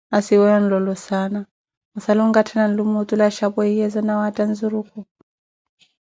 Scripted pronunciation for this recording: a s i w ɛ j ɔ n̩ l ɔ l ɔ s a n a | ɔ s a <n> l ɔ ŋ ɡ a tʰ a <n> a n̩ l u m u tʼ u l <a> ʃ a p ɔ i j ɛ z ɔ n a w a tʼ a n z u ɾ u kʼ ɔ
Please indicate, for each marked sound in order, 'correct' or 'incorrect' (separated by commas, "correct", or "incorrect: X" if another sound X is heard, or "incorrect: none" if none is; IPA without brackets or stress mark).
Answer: incorrect: none, correct, correct